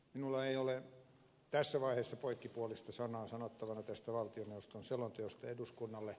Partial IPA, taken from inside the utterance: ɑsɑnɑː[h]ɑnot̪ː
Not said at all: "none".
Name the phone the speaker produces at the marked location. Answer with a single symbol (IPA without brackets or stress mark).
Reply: s